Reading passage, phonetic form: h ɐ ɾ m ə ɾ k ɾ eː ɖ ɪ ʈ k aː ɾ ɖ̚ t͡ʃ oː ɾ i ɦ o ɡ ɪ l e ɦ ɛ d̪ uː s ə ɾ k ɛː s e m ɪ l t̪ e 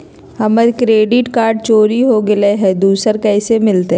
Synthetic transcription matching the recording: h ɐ m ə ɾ k ɾ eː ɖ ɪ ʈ k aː ɾ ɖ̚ t͡ʃ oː ɾ i ɦ o ɡ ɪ l e ɦ ɛ d̪ uː s ə ɾ k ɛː s e m ɪ l t̪ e

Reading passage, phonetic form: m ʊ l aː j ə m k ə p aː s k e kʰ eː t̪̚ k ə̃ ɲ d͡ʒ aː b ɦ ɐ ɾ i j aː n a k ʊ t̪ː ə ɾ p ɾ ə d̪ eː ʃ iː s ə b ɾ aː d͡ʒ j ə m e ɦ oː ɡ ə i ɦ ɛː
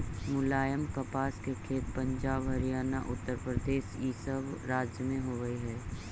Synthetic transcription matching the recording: m ʊ l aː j ə m k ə p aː s k e kʰ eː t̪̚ p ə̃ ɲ d͡ʒ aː b ɦ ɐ ɾ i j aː n a ʔ ʊ t̪ː ə ɾ p ɾ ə d̪ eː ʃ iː s ə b ɾ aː d͡ʒ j ə m ẽ ɦ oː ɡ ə i ɦ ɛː

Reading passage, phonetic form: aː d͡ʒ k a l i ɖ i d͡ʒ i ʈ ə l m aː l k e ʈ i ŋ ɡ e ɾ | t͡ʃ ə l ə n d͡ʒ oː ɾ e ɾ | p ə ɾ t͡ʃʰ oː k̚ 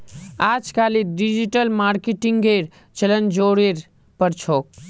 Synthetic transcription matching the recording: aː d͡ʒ k a l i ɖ i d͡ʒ i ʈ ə l m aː ɾ k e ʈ i ŋ ɡ e ɾ | t͡ʃ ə l ə n d͡ʒ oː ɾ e ɾ | p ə ɾ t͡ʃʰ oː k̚

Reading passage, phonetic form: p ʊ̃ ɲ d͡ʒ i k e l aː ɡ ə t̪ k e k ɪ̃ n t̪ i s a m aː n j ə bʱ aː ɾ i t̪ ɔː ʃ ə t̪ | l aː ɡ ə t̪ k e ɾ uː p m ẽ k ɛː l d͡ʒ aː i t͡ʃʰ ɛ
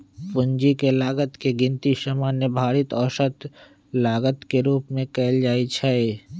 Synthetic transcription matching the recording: p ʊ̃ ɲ d͡ʒ i k e l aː ɡ ə t̪ k e ɡ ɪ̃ n t̪ i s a m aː n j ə bʱ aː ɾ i t̪ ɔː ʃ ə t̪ | l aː ɡ ə t̪ k e ɾ uː p m ẽ k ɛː l d͡ʒ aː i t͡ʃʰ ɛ

